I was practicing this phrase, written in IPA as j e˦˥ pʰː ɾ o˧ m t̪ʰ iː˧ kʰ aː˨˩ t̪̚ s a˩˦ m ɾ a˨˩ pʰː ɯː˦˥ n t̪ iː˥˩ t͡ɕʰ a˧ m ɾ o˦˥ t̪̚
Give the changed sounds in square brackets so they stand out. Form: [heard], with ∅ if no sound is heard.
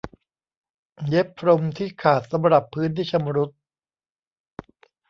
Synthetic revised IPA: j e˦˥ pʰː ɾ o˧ m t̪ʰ [iː˥˩] kʰ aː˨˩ t̪̚ s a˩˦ m ɾ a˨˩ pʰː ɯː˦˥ n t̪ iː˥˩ t͡ɕʰ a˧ m ɾ [u˦˥] t̪̚